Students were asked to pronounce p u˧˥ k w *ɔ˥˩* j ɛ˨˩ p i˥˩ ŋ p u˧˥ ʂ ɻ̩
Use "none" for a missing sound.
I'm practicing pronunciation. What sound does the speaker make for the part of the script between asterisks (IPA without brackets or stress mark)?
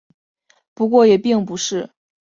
ɔ˥˩